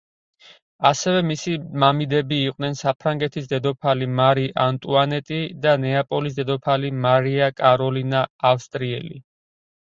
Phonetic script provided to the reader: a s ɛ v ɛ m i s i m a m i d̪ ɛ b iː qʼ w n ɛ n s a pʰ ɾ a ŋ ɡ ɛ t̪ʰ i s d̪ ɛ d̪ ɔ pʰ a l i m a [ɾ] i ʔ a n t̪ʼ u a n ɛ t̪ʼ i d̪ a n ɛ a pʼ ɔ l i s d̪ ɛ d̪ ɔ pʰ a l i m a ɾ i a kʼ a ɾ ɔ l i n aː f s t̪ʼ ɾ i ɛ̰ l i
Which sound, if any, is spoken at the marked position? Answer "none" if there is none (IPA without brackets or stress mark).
ɾ